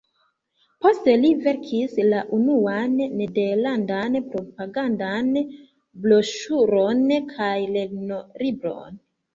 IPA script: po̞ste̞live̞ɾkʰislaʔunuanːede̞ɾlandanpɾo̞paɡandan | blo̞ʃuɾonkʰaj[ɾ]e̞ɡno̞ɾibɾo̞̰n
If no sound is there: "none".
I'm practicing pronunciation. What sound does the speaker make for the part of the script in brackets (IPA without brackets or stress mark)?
l